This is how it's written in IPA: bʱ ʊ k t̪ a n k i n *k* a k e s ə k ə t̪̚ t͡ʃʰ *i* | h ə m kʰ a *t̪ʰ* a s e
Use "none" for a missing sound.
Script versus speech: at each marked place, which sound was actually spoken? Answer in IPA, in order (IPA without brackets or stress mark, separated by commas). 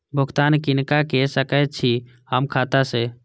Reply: k, i, t̪